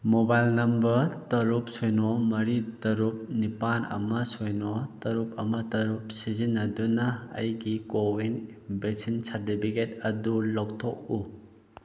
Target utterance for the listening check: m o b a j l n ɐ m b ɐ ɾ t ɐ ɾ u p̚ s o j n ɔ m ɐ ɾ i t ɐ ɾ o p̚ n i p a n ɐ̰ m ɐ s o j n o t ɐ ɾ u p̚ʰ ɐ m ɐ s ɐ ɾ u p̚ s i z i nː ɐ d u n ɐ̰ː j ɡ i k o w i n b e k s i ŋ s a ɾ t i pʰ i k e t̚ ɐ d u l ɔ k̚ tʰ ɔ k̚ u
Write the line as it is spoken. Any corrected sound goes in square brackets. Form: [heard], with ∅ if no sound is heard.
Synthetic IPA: m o b a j l n ɐ m b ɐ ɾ t ɐ ɾ u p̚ s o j n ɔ m ɐ ɾ i t ɐ ɾ [u] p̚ n i p a n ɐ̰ m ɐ s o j n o t ɐ ɾ u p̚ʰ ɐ m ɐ [t] ɐ ɾ u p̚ s i z i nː ɐ d u n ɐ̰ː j ɡ i k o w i n b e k s i [n] s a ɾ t i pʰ i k e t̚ ɐ d u l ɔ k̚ tʰ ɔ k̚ u